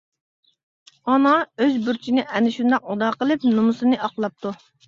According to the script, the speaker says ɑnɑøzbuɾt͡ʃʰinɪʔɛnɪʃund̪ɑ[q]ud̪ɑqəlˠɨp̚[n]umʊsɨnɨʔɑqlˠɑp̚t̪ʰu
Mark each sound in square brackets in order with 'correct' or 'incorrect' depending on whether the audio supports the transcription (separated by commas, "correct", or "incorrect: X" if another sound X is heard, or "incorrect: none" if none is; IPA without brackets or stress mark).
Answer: correct, correct